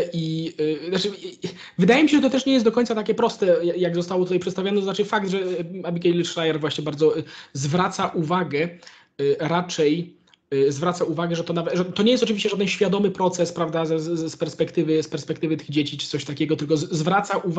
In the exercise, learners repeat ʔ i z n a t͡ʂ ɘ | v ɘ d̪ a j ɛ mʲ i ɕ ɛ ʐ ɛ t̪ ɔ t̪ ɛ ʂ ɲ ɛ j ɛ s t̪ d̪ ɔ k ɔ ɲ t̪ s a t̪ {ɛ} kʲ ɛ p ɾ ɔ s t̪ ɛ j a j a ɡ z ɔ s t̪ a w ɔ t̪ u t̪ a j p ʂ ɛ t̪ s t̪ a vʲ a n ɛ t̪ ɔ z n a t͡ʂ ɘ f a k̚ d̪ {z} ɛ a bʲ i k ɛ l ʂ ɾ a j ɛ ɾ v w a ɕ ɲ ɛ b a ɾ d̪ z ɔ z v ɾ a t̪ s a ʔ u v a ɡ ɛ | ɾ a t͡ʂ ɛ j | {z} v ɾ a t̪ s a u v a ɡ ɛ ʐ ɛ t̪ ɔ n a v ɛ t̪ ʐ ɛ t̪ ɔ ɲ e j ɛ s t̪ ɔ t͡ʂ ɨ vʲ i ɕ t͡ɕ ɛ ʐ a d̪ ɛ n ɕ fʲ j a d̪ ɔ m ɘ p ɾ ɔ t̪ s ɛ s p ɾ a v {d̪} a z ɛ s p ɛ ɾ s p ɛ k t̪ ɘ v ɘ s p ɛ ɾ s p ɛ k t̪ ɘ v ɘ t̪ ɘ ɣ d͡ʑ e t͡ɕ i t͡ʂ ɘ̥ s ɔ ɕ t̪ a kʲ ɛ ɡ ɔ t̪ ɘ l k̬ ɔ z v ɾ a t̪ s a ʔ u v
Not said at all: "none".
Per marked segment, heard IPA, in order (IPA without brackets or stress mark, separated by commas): a, ʐ, z, d̪